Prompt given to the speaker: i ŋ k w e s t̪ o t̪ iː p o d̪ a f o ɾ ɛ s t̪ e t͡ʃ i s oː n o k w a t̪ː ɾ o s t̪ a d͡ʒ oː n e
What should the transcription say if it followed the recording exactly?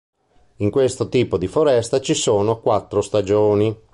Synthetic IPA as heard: i ŋ k w e s t̪ o t̪ iː p o d̪ i f o ɾ ɛ s t̪ a t͡ʃ i s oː n o k w a t̪ː ɾ o s t̪ a d͡ʒ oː n i